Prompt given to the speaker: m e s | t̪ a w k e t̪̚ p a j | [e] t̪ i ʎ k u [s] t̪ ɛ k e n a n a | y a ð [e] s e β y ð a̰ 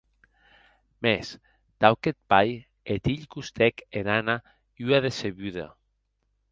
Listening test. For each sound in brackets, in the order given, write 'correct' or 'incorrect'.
correct, correct, correct

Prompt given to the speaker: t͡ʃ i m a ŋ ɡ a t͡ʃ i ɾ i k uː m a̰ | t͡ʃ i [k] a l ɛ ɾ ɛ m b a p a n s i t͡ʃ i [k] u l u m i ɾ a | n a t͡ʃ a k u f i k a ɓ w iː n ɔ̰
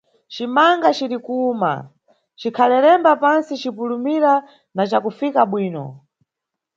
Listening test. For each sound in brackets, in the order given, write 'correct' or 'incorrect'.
incorrect: kʰ, incorrect: p

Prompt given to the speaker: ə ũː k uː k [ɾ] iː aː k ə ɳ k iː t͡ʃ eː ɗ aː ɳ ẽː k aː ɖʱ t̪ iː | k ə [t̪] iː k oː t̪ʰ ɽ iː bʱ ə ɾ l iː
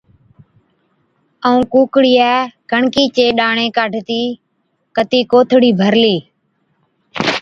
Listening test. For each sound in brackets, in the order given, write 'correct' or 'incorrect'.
incorrect: ɽ, correct

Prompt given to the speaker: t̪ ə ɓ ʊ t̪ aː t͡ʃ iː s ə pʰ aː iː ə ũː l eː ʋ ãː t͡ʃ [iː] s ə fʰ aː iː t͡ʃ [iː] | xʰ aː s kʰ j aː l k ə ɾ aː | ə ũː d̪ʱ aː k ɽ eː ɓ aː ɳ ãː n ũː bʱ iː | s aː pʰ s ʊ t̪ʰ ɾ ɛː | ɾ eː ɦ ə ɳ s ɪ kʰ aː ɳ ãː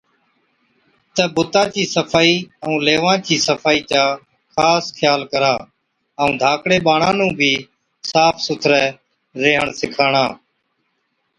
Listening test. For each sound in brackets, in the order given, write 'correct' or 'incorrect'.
correct, incorrect: aː

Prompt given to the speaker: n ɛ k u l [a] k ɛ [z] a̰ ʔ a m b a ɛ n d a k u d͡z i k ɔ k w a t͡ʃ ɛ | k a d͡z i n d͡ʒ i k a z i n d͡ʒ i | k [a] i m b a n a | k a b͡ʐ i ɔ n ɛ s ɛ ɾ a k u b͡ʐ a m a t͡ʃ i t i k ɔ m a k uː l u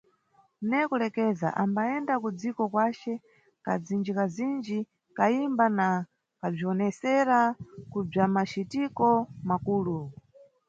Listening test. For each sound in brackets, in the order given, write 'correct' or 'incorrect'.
incorrect: ɛ, correct, correct

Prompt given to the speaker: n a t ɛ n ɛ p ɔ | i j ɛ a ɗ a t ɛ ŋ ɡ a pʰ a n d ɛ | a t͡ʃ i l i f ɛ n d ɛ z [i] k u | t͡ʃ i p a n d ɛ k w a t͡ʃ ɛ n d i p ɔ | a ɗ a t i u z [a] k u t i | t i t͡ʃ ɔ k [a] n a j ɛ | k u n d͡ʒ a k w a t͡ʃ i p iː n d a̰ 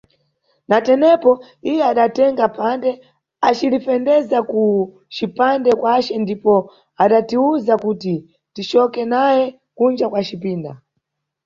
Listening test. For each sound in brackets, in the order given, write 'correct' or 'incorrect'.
incorrect: a, correct, incorrect: ɛ

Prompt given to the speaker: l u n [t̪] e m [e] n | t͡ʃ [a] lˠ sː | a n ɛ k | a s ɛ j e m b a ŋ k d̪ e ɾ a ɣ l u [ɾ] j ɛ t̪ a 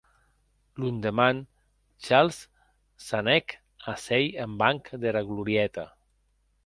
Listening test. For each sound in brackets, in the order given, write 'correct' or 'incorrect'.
incorrect: d̪, incorrect: a, correct, correct

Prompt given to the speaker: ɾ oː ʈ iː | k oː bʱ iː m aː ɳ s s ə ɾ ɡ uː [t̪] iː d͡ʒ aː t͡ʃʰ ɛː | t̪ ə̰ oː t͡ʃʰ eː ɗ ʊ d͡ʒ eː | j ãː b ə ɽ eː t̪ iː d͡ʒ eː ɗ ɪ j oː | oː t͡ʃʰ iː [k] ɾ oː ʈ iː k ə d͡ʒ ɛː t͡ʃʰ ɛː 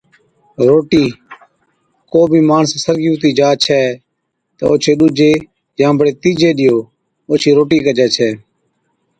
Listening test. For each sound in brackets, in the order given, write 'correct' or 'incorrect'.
correct, incorrect: none

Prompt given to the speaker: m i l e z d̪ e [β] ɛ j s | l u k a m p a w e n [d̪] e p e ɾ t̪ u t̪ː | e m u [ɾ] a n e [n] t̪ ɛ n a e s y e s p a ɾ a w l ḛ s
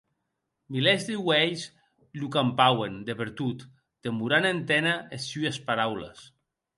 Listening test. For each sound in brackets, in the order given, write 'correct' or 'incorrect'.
incorrect: w, correct, correct, correct

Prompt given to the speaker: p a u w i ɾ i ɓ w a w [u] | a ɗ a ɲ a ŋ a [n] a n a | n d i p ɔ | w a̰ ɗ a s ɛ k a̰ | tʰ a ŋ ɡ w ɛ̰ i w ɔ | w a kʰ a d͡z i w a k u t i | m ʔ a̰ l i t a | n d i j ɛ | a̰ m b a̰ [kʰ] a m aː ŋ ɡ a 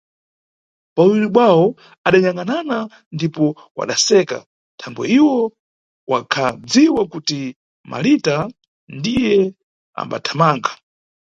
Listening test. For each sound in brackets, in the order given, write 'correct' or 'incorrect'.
incorrect: ɔ, correct, incorrect: tʰ

